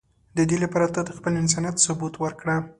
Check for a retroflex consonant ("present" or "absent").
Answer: present